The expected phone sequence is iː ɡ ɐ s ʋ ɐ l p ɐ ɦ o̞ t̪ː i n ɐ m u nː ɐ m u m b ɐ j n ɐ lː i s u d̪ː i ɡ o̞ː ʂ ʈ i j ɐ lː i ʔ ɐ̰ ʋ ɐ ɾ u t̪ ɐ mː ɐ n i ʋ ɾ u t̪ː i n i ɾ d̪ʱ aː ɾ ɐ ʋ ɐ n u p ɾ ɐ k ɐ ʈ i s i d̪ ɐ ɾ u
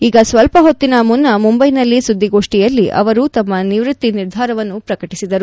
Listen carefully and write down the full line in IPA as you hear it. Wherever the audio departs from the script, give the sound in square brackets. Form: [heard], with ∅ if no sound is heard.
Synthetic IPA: iː ɡ ɐ s ʋ ɐ l p ɐ ɦ o̞ t̪ː i n ɐ m u nː ɐ m u m b ɐ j n ɐ lː i s u d̪ː i ɡ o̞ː ʂ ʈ i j ɐ lː i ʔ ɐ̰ ʋ ɐ ɾ u t̪ ɐ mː ɐ n i ʋ ɾ u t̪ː i n i ɾ d̪ʱ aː ɾ ɐ ʋ ɐ [nː] u p ɾ ɐ k ɐ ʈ i s i d̪ ɐ ɾ u